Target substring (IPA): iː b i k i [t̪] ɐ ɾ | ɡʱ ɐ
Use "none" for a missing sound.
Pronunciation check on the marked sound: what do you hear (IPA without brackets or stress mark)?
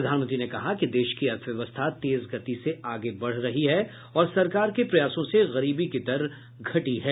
d̪